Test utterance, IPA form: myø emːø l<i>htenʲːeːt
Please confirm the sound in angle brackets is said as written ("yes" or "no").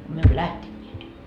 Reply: no